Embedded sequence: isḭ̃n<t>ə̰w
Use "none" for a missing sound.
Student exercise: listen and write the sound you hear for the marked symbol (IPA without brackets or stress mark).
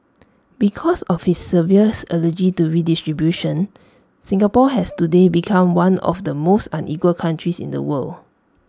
d